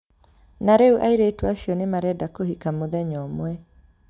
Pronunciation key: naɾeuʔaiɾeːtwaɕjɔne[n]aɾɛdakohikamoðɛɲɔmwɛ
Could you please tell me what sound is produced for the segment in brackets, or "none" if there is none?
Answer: m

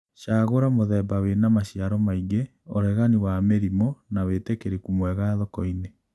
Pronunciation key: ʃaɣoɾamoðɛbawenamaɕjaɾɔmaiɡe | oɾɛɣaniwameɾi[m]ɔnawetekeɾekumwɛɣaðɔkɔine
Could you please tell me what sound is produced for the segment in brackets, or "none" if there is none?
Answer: m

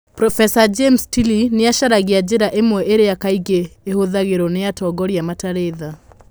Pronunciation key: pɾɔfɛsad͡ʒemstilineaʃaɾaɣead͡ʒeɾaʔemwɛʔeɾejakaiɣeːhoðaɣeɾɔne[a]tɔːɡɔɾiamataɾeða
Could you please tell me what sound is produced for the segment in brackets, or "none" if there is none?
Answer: a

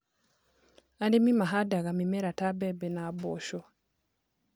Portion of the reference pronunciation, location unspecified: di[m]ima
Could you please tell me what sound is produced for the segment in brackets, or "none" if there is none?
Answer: m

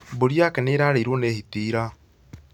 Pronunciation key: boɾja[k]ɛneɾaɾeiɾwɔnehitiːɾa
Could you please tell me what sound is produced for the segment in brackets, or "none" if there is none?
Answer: k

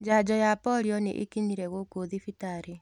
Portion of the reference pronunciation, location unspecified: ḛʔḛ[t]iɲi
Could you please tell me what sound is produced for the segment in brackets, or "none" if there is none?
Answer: k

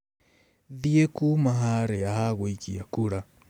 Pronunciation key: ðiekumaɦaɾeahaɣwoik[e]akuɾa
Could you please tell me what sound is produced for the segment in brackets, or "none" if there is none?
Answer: i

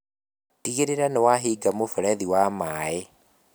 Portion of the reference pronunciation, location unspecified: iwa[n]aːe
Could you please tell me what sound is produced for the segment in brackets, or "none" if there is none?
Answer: m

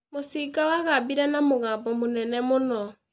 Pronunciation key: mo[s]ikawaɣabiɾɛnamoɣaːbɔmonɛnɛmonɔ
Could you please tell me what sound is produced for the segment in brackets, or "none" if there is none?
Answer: s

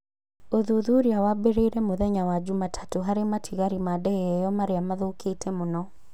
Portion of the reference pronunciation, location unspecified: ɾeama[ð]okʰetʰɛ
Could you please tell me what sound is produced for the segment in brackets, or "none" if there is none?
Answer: ð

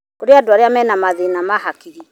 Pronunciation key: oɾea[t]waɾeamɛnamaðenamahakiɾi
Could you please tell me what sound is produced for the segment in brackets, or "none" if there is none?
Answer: d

